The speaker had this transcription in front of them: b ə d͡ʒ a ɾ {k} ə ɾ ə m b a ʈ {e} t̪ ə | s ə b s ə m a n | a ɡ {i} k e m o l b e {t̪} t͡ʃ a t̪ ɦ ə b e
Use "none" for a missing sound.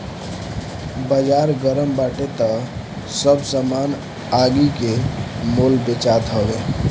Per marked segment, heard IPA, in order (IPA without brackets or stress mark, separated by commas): ɡ, e, i, none